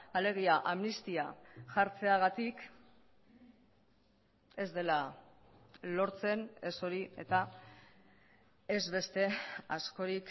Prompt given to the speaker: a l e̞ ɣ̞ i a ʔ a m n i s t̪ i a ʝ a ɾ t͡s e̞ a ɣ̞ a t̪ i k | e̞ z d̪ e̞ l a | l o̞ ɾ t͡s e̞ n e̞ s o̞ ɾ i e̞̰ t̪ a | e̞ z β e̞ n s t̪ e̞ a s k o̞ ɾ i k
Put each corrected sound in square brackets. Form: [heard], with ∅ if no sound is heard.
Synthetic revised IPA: a l e̞ ɣ̞ i a ʔ a m n i s t̪ i a ʝ a ɾ t͡s e̞ a ɣ̞ a t̪ i k | e̞ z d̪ e̞ l a | l o̞ ɾ t͡s e̞ n e̞ s o̞ ɾ i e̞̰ t̪ a | e̞ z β e̞ [∅] s t̪ e̞ a s k o̞ ɾ i k